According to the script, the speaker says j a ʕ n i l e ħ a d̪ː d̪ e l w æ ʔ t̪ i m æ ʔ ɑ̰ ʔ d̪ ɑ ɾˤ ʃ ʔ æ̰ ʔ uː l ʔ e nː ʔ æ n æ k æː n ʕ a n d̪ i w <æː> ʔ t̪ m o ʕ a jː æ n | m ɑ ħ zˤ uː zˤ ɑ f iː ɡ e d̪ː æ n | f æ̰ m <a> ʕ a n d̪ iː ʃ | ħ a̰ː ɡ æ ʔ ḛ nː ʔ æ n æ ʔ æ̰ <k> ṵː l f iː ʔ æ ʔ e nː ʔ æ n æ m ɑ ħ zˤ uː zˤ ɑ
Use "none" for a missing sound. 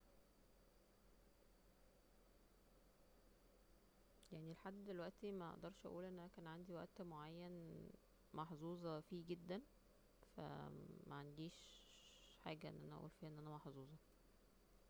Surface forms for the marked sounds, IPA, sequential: æ, æ, ʔ

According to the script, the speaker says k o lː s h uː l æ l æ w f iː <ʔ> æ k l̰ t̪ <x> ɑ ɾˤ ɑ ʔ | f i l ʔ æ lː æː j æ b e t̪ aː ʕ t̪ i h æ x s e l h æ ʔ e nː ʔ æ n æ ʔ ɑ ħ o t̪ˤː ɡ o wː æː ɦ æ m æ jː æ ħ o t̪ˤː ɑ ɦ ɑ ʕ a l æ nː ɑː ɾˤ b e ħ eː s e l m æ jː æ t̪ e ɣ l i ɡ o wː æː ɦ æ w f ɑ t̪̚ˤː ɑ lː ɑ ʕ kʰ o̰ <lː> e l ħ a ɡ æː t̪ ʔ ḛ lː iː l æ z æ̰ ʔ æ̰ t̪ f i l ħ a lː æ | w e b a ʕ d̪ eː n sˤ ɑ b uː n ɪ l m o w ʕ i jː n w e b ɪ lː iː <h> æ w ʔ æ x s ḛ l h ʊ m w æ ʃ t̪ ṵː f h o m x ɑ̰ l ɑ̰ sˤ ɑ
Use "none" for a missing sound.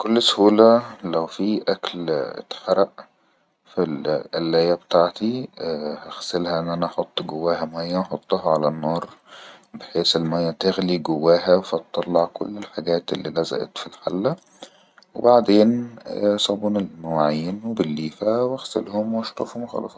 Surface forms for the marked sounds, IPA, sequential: ʔ, ħ, lː, f

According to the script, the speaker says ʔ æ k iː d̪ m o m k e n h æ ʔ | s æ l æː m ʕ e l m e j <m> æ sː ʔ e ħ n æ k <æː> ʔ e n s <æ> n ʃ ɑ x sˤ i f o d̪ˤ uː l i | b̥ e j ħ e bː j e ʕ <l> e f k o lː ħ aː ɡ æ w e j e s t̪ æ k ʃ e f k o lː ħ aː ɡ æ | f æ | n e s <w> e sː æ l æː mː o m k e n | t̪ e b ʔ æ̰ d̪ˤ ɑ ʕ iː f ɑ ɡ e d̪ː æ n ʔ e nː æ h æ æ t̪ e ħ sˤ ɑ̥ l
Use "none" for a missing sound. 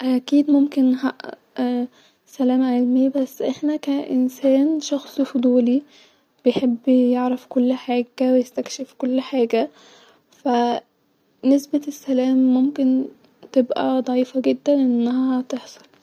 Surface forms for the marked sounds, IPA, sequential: b, æ, æː, ɾ, b

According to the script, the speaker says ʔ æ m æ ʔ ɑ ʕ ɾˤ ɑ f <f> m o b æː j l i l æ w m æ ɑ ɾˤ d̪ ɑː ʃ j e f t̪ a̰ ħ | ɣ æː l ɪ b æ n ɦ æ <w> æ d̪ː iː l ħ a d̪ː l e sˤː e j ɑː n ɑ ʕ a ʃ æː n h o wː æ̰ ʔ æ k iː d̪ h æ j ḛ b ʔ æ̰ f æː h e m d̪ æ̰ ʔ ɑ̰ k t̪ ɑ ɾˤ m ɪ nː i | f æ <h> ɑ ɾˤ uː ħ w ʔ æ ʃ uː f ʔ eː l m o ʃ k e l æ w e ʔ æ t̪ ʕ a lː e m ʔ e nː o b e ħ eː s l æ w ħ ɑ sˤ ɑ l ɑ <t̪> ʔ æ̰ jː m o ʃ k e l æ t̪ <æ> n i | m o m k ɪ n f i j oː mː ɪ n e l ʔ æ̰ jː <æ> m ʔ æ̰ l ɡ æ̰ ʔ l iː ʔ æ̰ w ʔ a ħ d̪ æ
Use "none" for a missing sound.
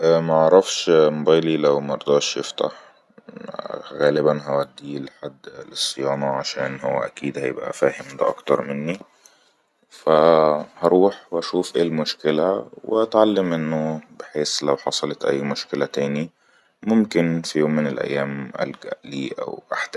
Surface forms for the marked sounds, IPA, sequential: ʃ, w, h, t̪, æː, æː

